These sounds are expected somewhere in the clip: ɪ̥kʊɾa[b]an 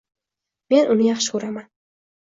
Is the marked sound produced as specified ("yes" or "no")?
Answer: no